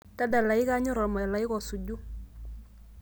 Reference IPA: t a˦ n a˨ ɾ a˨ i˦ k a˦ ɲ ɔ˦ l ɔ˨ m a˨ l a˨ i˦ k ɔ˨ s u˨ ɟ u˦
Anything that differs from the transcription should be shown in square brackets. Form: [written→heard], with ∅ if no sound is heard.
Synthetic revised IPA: t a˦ [n→d] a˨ [ɾ→l] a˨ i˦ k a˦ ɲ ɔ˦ [l→ɾ] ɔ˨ m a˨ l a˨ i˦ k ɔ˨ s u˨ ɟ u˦